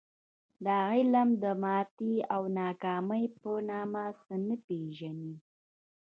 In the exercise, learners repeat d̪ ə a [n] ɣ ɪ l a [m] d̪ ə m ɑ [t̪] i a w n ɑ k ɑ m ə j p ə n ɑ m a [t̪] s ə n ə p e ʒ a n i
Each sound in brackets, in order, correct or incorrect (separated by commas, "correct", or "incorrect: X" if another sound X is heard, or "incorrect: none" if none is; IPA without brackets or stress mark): incorrect: none, correct, correct, incorrect: none